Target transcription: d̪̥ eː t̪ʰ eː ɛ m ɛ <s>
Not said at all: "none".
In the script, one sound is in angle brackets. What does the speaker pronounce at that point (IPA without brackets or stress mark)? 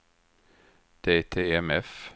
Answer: f